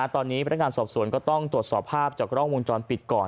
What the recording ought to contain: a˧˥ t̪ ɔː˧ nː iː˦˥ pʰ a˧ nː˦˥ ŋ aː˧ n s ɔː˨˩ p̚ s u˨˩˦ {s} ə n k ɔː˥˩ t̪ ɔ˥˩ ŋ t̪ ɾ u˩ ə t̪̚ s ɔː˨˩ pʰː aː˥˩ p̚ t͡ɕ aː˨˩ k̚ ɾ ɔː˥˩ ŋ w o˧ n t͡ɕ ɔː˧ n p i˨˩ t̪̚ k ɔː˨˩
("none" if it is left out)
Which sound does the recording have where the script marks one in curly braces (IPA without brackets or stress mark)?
none